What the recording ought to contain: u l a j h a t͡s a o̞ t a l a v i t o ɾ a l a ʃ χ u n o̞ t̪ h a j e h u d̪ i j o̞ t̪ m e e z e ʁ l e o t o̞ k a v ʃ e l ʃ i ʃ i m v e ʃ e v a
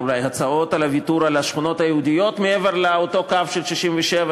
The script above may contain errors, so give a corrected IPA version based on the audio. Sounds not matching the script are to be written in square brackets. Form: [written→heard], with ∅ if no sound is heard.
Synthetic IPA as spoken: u l a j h a t͡s a o̞ t a l a v i t [o→u] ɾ a l a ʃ χ u n o̞ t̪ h a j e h u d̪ i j o̞ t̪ m e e [z→v] e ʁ l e o t o̞ k a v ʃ e l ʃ i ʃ i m v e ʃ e v a